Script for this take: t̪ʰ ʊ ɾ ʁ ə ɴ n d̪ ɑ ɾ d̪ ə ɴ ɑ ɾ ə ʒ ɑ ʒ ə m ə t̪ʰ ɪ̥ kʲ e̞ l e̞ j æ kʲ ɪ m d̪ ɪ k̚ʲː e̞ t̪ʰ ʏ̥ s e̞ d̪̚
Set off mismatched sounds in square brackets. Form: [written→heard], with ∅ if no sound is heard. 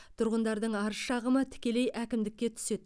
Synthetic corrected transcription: t̪ʰ ʊ ɾ ʁ ə [ɴ→∅] n d̪ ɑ ɾ d̪ ə ɴ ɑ ɾ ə [ʒ→ʃ] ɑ [ʒ→ʁ] ə m ə t̪ʰ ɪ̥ kʲ e̞ l e̞ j æ kʲ ɪ m d̪ ɪ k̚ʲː e̞ t̪ʰ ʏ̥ s e̞ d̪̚

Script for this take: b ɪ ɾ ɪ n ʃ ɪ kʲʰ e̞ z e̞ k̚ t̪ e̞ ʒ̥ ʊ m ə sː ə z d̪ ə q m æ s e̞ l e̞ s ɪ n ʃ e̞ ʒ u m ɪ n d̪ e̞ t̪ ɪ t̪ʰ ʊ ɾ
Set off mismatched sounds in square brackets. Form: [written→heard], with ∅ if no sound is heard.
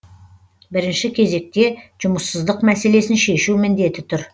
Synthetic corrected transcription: b ɪ ɾ ɪ n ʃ ɪ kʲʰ e̞ z e̞ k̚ t̪ e̞ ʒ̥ ʊ m ə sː ə z d̪ ə q m æ s e̞ l e̞ s ɪ n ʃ e̞ [ʒ→ʃ] u m ɪ n d̪ e̞ t̪ ɪ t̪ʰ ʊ ɾ

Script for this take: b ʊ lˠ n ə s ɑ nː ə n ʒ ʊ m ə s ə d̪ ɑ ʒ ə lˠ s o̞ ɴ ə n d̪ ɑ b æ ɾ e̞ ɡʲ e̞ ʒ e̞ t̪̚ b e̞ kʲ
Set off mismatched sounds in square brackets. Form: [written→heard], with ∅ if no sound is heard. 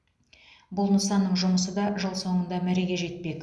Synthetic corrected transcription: b ʊ lˠ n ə s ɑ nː ə [n→ɴ] ʒ ʊ m ə s ə d̪ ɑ ʒ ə lˠ s o̞ ɴ ə n d̪ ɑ [b→m] æ ɾ e̞ ɡʲ e̞ ʒ e̞ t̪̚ [b→p] e̞ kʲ

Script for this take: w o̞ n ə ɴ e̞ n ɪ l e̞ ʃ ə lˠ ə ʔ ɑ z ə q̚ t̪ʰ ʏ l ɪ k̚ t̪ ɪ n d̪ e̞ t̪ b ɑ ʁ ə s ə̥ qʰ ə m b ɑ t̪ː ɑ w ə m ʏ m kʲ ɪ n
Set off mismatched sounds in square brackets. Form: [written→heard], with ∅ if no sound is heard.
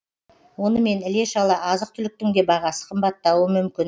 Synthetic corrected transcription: w o̞ n ə [ɴ→m] e̞ n ɪ l e̞ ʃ [ə→ɑ] lˠ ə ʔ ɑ z ə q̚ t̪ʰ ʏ l ɪ k̚ t̪ ɪ [n→ŋ] d̪ e̞ [t̪→∅] b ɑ ʁ [ə→ɑ] s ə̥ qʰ ə m b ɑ t̪ː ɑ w ə m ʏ m kʲ ɪ n

